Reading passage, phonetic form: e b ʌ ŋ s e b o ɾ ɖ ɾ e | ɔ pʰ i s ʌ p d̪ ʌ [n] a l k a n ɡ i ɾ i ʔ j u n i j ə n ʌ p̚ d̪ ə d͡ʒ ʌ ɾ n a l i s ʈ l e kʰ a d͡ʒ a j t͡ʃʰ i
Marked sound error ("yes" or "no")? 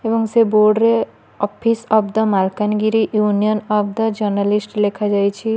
yes